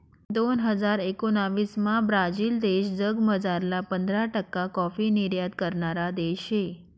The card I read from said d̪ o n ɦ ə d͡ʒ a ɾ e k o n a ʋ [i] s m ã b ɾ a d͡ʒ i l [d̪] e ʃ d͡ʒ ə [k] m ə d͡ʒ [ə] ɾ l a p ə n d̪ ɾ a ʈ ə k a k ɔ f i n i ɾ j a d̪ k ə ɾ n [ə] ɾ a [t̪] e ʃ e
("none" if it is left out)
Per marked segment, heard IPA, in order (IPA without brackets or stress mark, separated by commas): i, d̪, ɡ, a, a, d̪